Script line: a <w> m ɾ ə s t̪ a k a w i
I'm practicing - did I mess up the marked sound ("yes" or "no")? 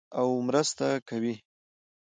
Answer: no